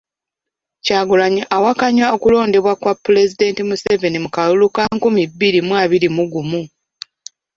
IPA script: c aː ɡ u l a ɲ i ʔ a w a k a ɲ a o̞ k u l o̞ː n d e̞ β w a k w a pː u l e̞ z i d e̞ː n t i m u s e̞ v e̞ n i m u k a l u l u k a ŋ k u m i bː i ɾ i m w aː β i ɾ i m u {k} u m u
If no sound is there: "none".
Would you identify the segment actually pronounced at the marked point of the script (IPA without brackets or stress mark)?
ɡ